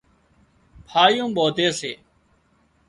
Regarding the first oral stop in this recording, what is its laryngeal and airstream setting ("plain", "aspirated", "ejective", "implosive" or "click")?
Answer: aspirated